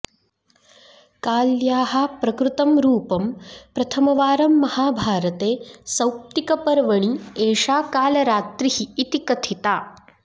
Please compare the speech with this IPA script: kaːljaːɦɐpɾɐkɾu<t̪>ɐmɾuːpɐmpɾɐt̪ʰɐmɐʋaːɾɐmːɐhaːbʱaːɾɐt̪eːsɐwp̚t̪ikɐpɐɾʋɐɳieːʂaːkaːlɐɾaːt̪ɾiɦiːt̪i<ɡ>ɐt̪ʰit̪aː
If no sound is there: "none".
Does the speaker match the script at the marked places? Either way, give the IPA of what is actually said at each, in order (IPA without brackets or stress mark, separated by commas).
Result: t̪, k